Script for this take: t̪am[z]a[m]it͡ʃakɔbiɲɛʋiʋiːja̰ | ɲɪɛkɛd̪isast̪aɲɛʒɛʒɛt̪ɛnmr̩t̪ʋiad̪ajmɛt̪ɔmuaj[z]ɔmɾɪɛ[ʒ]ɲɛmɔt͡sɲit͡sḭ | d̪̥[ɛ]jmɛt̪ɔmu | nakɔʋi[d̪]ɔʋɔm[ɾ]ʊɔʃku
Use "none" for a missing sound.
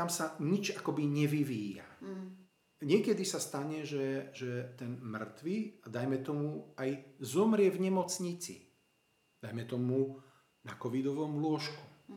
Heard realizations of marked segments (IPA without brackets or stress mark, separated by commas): s, ɲ, z, v, a, d̪, l